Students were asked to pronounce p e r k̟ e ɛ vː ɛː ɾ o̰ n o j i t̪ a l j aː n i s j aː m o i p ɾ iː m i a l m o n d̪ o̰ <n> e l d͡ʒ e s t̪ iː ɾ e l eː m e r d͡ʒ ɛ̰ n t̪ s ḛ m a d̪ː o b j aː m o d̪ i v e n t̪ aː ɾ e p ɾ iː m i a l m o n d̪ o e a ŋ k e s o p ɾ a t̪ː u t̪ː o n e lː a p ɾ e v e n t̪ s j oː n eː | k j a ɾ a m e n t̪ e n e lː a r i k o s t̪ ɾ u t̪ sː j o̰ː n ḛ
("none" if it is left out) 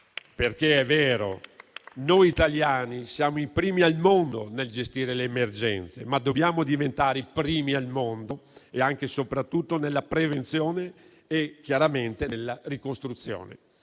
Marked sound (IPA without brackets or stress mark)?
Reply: n